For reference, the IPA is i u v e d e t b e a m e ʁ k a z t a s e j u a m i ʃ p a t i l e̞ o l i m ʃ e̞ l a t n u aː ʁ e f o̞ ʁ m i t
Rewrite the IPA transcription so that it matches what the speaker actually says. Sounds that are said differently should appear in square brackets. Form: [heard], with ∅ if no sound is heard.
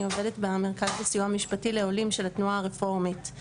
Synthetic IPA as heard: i [o] v e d e t b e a m e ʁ k a z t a s [i] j u a m i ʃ p a t i l e̞ o l i m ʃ e̞ l a t n u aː ʁ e f o̞ ʁ m i t